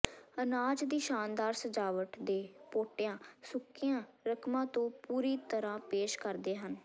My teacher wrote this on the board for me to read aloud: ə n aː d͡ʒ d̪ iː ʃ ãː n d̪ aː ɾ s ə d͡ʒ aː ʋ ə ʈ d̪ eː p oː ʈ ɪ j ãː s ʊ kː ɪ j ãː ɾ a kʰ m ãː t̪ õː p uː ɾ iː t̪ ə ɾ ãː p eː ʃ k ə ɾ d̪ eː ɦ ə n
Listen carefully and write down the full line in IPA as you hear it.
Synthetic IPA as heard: ə n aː d͡ʒ d̪ iː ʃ aː n d̪ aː ɾ s ə d͡ʒ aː ʋ ə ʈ d̪ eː p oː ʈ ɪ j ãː s ʊ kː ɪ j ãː ɾ ə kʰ m ãː t̪ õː p uː ɾ iː t̪ ə ɾ ãː p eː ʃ k ə ɾ d̪ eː ɦ ə n